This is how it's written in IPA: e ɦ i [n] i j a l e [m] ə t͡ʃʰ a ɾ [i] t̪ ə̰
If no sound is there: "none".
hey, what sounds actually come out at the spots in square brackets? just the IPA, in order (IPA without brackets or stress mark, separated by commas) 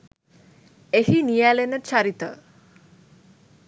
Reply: n, n, i